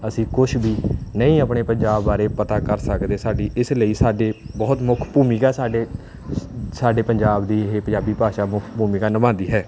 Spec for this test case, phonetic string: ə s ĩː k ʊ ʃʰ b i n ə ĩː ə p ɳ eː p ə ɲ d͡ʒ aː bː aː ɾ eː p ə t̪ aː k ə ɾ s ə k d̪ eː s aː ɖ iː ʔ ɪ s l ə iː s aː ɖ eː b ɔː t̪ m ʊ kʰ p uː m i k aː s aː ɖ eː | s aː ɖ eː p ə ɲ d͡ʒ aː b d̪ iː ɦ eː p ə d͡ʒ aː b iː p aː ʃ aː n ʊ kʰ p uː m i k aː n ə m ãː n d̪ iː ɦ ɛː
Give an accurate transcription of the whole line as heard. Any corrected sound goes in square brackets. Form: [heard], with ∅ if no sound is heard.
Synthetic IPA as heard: ə s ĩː k ʊ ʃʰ b [iː] n ə ĩː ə p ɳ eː p ə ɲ d͡ʒ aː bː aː ɾ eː p ə t̪ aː k ə ɾ s ə k d̪ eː s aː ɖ iː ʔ ɪ s l ə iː s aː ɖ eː b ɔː t̪ m ʊ kʰ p uː m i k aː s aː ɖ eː | s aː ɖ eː p ə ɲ d͡ʒ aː b d̪ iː ɦ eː p ə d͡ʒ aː b iː p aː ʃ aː [m] ʊ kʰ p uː m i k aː n ə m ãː n d̪ iː ɦ ɛː

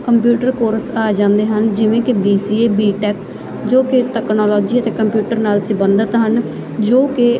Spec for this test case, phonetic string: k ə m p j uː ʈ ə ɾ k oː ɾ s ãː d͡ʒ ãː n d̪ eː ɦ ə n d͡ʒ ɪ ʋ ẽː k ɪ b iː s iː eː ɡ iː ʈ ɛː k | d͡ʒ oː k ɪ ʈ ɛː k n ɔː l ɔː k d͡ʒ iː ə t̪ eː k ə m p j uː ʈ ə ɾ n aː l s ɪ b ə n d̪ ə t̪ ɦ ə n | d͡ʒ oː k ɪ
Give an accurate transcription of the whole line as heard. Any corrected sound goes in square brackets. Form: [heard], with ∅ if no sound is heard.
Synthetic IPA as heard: k ə m p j uː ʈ ə ɾ k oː ɾ s [aː] d͡ʒ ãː n d̪ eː ɦ ə n d͡ʒ ɪ ʋ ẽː k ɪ b iː s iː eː [b] iː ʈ ɛː k | d͡ʒ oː k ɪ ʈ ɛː k n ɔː l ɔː [∅] d͡ʒ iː ə t̪ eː k ə m p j uː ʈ ə ɾ n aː l s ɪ b ə n d̪ ə t̪ ɦ ə n | d͡ʒ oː k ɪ

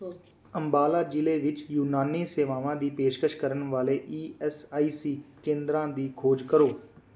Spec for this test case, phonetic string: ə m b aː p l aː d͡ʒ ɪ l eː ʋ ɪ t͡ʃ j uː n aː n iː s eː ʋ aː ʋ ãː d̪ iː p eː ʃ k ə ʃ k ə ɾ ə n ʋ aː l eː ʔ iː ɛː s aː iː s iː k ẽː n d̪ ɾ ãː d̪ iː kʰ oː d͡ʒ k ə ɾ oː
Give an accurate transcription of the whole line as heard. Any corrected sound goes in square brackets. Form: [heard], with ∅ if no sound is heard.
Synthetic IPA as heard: ə m b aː [∅] l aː d͡ʒ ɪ l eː ʋ ɪ t͡ʃ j uː n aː n iː s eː ʋ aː ʋ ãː d̪ iː p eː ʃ k ə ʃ k ə ɾ ə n ʋ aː l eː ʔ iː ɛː s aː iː s iː k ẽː n d̪ ɾ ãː d̪ iː kʰ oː d͡ʒ k ə ɾ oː

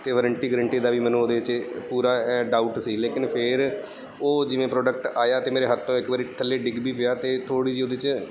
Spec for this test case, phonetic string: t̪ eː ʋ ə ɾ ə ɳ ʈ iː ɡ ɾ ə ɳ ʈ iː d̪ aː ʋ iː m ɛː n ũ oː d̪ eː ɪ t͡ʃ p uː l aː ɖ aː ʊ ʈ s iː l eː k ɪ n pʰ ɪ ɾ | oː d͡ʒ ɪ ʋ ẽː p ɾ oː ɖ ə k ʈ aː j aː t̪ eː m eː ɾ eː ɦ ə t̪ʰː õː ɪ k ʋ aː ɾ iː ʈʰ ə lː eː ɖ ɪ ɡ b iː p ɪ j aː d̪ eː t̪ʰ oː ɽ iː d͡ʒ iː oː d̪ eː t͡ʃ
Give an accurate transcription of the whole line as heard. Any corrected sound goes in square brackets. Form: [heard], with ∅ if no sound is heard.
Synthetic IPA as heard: t̪ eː ʋ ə ɾ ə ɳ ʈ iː ɡ ɾ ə ɳ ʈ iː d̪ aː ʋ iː m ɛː n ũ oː d̪ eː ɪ t͡ʃ p uː [ɾ] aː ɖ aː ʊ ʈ s iː l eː k ɪ n pʰ ɪ ɾ | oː d͡ʒ ɪ ʋ ẽː p ɾ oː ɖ ə k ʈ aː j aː t̪ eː m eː ɾ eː ɦ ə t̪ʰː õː ɪ k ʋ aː ɾ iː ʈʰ ə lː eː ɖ ɪ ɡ b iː p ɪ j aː [t̪] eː t̪ʰ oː ɽ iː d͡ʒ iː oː d̪ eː t͡ʃ

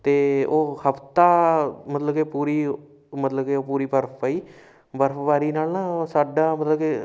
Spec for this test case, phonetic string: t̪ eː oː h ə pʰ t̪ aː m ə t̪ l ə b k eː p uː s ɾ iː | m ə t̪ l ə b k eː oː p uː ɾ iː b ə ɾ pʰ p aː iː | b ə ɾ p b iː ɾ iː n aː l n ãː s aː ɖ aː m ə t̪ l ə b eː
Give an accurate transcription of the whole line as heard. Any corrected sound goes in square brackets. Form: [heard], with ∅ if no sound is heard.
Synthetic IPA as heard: t̪ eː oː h ə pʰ t̪ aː m ə t̪ l ə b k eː p uː [∅] ɾ iː | m ə t̪ l ə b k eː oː p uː ɾ iː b ə ɾ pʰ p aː iː | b ə ɾ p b [aː] ɾ iː n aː l n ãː s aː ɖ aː m ə t̪ l ə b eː

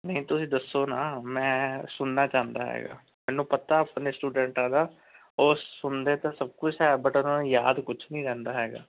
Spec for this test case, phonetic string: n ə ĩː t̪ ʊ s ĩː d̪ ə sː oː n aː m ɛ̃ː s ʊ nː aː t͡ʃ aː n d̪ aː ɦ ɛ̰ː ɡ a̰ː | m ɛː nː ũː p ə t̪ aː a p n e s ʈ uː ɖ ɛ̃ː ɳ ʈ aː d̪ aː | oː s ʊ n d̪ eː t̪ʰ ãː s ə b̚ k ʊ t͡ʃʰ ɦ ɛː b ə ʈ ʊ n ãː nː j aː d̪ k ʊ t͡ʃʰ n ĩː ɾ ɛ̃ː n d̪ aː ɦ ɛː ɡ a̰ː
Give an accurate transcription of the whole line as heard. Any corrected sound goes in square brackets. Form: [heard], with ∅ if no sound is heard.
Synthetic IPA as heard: n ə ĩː t̪ ʊ s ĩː d̪ ə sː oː n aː m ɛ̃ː s ʊ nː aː t͡ʃ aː n d̪ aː ɦ ɛ̰ː ɡ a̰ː | m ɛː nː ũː p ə t̪ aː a p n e s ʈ uː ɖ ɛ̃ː ɳ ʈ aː d̪ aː | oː s ʊ n d̪ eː [t̪] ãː s ə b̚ k ʊ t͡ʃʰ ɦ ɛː b ə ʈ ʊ n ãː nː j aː d̪ k ʊ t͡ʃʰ n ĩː ɾ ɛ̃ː n d̪ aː ɦ ɛː ɡ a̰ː

